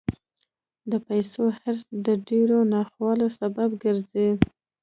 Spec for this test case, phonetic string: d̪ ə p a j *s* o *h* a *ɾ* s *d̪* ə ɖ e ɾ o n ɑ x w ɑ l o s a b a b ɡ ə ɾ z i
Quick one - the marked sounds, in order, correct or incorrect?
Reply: correct, correct, correct, correct

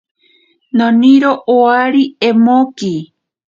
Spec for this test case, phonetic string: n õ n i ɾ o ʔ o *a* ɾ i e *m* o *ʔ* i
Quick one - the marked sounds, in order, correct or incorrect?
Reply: correct, correct, incorrect

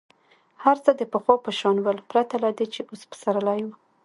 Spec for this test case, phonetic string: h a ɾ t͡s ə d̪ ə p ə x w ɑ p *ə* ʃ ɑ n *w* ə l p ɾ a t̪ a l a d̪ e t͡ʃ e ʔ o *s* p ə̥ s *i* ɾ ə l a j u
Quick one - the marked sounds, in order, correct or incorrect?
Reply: correct, correct, correct, incorrect

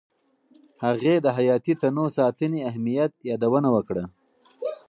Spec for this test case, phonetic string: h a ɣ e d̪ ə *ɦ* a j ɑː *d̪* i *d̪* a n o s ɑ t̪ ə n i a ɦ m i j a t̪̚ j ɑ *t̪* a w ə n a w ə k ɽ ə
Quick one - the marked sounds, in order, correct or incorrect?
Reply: correct, incorrect, incorrect, incorrect

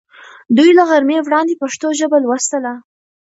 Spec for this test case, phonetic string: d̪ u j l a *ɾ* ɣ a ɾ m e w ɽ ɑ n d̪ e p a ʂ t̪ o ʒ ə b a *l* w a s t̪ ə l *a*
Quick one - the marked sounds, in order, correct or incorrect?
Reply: incorrect, correct, correct

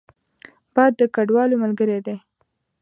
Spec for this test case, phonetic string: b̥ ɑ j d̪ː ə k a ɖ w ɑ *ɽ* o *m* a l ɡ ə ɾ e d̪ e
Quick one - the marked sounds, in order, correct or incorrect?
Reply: incorrect, correct

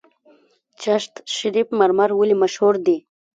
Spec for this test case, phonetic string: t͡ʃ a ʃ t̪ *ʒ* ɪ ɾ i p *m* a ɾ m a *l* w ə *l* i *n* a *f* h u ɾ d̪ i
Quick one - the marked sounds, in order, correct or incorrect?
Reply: incorrect, correct, incorrect, correct, incorrect, incorrect

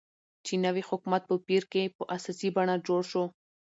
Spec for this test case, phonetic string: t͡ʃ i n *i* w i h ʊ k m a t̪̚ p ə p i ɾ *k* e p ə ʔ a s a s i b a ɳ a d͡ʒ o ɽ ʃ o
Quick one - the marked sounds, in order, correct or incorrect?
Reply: incorrect, correct

